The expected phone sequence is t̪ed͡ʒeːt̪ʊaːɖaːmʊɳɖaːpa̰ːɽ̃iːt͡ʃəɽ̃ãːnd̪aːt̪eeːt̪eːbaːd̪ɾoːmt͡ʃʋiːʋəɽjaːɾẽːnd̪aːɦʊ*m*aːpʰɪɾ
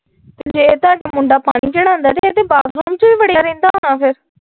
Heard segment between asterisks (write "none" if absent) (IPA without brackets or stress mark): n